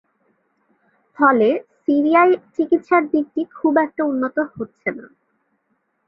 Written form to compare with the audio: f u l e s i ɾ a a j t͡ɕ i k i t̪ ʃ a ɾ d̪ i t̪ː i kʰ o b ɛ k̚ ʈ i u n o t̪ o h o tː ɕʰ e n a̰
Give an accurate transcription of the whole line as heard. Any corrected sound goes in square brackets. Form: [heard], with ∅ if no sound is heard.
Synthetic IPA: f [ɔ] l e s i ɾ [i] a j t͡ɕ i k i t̪ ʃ a ɾ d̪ i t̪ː i kʰ [u] b ɛ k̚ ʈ [a] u [nː] o t̪ o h o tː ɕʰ e n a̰